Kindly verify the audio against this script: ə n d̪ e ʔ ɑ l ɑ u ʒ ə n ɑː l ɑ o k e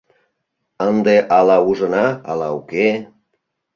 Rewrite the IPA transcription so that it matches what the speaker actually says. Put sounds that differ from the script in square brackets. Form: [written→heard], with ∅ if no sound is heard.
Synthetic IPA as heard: ə n d̪ e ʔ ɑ l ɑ u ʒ ə n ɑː l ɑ [o→u] k e

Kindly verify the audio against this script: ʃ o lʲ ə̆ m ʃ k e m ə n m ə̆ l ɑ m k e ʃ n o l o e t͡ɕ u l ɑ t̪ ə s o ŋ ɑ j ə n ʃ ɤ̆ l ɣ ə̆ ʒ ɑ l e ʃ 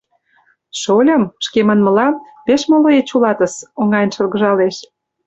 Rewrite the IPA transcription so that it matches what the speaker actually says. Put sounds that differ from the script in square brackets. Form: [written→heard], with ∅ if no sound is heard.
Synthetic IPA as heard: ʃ o lʲ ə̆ m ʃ k e m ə n m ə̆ l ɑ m [k→p] e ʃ [n→m] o l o e t͡ɕ u l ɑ t̪ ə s o ŋ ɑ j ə n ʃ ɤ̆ l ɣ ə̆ ʒ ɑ l e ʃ

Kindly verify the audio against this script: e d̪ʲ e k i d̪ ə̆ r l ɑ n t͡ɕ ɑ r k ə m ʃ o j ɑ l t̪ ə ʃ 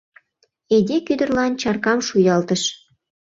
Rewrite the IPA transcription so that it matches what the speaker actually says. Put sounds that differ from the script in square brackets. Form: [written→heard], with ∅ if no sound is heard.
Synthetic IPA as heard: e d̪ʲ e k [i→y] d̪ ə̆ r l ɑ n t͡ɕ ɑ r k [ə→ɑ] m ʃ [o→u] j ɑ l t̪ ə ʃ

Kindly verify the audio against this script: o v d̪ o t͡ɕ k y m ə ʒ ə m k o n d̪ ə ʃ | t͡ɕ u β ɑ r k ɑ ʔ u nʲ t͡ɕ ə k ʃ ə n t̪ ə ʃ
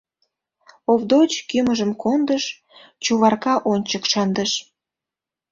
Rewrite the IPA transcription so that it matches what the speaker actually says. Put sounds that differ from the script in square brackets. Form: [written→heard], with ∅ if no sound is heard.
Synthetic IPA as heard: o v d̪ o t͡ɕ k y m ə ʒ ə m k o n d̪ ə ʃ | t͡ɕ u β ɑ r k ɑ ʔ [u→o] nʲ t͡ɕ ə k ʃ [ə→ɑ] n [t̪→d̪] ə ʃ

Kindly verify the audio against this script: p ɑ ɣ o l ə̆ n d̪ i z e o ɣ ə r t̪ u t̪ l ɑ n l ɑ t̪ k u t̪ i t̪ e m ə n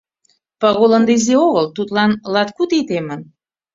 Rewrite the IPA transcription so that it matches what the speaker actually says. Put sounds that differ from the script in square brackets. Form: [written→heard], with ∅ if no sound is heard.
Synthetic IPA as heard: p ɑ ɣ o l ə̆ n d̪ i z e o ɣ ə [r→l] t̪ u t̪ l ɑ n l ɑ t̪ k u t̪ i t̪ e m ə n

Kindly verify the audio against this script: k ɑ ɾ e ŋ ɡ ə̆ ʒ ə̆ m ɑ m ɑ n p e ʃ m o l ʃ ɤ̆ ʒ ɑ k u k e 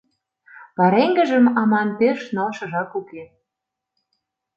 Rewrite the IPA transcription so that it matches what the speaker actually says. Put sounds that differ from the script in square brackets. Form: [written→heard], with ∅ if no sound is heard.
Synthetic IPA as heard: [k→p] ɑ ɾ e ŋ ɡ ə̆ ʒ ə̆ m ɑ m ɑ n p e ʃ [m→n] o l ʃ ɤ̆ ʒ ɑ k u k e

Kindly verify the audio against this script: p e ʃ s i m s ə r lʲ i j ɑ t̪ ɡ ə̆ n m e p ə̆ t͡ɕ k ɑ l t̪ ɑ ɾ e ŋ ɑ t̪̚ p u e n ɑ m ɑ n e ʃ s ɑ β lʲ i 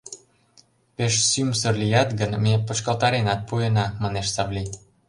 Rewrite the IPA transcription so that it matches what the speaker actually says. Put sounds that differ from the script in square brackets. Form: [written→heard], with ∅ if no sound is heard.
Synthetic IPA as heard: p e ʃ s [i→y] m s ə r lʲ i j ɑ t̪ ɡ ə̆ n m e p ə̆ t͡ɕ k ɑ l t̪ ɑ ɾ e [ŋ→n] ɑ t̪̚ p u e n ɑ m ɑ n e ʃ s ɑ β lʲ i

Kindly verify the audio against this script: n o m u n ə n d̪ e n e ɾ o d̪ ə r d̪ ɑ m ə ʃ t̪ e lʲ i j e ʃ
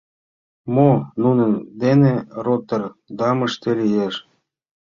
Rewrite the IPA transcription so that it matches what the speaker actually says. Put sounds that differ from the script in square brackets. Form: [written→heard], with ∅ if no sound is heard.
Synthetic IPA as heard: [n→m] o [m→n] u n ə n d̪ e n e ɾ o [d̪→t̪] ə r d̪ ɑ m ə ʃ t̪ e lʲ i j e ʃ

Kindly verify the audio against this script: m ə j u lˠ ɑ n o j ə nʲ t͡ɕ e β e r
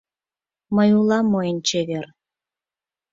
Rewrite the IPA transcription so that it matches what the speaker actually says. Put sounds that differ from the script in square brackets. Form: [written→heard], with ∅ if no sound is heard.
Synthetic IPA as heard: m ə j u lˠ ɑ [n→m] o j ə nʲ t͡ɕ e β e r

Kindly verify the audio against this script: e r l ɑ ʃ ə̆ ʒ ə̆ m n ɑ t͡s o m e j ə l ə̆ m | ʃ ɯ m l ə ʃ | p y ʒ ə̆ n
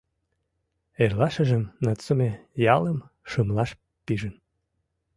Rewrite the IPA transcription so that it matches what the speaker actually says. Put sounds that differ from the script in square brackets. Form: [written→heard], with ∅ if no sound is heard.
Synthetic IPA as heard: e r l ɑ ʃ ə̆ ʒ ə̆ m n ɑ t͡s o m e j [ə→ɑ] l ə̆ m | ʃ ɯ m l [ə→ɑ] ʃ | p [y→i] ʒ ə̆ n

